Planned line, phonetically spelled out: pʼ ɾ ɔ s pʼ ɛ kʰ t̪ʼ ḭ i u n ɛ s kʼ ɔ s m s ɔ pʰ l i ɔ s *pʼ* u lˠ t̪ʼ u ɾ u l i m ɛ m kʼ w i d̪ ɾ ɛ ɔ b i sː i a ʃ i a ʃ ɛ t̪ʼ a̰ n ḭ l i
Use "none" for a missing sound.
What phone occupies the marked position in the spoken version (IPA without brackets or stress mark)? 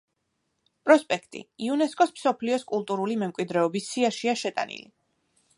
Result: kʼ